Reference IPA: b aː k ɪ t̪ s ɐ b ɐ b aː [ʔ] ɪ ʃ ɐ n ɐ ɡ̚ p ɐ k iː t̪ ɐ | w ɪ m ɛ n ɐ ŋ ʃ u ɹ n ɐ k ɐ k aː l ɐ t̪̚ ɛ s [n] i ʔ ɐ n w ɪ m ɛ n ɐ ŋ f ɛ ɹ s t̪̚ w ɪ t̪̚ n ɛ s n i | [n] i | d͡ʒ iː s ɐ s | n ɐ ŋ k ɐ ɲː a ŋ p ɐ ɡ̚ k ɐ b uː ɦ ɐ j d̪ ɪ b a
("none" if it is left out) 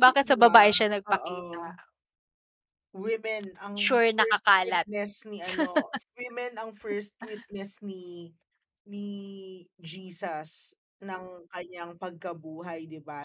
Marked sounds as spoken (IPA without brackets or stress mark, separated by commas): ʔ, n, n